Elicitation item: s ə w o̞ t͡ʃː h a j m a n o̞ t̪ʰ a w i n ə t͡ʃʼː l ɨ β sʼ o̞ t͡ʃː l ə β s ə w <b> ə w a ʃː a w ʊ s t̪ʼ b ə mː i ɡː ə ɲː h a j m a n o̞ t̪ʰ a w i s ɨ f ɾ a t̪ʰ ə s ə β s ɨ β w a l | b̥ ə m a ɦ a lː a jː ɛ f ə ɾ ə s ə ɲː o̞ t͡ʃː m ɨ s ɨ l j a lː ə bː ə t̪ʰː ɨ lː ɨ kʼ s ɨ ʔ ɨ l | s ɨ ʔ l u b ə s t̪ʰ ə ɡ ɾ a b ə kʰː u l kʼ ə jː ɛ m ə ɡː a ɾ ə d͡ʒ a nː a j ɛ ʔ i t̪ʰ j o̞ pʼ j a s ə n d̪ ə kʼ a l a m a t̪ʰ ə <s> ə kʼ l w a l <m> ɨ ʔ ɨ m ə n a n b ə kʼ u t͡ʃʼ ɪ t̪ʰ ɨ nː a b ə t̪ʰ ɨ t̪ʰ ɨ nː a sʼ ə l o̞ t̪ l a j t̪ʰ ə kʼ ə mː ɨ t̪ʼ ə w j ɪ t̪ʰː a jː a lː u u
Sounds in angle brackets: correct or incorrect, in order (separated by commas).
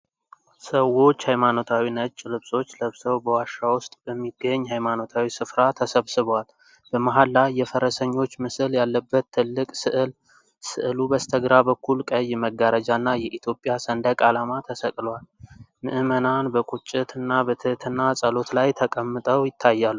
correct, correct, correct